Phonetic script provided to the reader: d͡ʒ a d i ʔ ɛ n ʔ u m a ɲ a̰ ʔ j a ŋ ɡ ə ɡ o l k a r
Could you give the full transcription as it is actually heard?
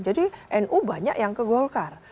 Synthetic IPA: d͡ʒ a d i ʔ ɛ n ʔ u b a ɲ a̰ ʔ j a ŋ k ə ɡ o l k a r